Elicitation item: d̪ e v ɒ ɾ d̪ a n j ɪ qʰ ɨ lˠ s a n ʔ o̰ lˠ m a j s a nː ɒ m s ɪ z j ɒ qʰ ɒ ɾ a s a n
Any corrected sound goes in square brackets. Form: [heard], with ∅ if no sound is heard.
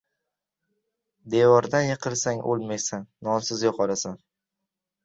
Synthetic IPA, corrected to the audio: d̪ e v ɒ ɾ d̪ a n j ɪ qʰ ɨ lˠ s a [ŋ] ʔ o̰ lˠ m a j s a nː ɒ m s ɪ z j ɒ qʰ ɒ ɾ a s a n